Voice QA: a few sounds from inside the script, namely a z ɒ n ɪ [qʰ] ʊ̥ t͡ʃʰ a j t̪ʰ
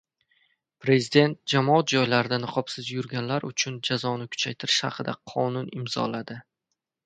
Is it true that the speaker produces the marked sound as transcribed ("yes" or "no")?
no